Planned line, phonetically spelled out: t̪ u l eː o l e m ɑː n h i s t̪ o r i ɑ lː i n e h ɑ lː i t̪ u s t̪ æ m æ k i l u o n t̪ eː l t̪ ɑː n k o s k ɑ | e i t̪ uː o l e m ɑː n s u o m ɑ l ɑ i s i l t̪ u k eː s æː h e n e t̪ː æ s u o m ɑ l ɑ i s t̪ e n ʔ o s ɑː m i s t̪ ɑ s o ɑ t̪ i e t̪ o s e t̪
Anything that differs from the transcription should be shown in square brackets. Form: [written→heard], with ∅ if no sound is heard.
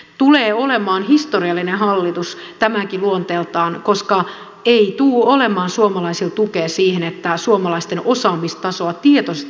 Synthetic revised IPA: t̪ u l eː o l e m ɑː n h i s t̪ o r i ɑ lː i n e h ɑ lː i t̪ u s t̪ æ m æ k i l u o n t̪ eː l t̪ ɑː n k o s k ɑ | e i t̪ uː o l e m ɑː n s u o m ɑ l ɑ i s i l t̪ u k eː s [æː→iː] h e n e t̪ː æ s u o m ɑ l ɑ i s t̪ e n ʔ o s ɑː m i s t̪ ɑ s o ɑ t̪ i e t̪ o s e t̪

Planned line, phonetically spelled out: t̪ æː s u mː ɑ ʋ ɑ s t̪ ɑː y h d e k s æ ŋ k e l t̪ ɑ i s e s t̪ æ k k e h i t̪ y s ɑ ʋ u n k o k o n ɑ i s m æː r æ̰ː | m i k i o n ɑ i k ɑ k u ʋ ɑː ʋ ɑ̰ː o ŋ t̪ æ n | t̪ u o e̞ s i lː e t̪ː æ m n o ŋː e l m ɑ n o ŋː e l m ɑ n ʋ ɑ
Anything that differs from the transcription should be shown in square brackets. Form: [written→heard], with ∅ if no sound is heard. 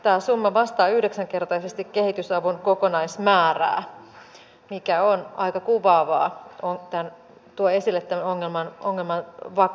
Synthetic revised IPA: t̪ æː s u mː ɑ ʋ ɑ s t̪ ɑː y h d e k s æ ŋ k e [l→r] t̪ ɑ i s e s t̪ [æ→i] k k e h i t̪ y s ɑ ʋ u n k o k o n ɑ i s m æː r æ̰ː | m i k [i→æ] o n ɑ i k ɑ k u ʋ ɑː ʋ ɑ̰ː o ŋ t̪ æ n | t̪ u o e̞ s i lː e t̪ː æ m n o ŋː e l m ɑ n o ŋː e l m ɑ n ʋ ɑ

